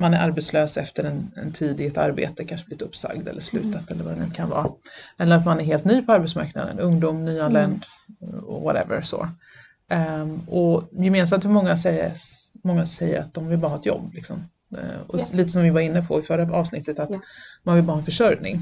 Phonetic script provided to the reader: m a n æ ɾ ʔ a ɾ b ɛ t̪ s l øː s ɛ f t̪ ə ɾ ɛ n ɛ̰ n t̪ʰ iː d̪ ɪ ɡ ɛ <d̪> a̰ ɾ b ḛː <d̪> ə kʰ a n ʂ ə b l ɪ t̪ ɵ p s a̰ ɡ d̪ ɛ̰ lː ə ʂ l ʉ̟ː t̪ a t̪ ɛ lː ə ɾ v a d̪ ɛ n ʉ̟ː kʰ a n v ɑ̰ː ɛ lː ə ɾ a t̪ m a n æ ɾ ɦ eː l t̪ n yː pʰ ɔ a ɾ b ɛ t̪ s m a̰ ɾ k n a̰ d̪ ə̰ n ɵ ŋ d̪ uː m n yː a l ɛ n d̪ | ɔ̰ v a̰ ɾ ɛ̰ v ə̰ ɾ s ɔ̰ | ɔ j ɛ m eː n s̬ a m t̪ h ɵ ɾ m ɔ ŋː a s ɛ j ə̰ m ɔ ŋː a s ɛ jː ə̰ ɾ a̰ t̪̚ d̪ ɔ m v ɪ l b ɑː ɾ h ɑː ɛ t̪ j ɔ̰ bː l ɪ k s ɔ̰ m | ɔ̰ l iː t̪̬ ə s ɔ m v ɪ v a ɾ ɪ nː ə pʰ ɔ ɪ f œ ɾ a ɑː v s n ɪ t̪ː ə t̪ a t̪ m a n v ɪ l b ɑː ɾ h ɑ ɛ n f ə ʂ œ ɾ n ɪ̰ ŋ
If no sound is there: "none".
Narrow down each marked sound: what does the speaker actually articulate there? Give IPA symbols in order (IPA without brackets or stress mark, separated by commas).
t̪, t̪